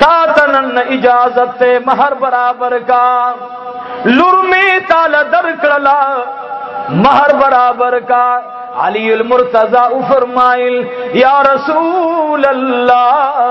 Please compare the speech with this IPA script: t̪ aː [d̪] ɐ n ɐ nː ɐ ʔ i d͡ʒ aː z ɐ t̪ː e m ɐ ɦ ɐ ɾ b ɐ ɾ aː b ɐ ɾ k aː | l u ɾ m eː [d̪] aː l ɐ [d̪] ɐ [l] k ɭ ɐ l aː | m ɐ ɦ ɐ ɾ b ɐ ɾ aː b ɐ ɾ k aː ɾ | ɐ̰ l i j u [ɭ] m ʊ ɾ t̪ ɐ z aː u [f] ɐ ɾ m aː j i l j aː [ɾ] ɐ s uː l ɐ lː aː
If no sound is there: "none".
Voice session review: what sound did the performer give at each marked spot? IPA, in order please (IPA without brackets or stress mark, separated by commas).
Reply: t̪, t̪, d̪, ɾ, l, f, ɾ